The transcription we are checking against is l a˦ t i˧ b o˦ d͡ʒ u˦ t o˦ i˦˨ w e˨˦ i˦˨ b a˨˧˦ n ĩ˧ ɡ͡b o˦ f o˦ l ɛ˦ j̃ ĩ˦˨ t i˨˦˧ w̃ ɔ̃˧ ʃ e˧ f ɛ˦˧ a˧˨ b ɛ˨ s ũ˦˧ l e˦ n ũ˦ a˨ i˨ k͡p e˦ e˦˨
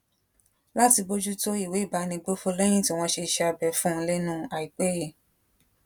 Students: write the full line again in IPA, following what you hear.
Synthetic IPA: l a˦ t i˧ b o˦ d͡ʒ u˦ t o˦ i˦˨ w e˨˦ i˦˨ b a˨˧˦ n ĩ˧ ɡ͡b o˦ f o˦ l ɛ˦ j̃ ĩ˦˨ t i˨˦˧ w̃ ɔ̃˧ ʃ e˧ ʃ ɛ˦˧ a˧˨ b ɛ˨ f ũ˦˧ l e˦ n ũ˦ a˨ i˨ k͡p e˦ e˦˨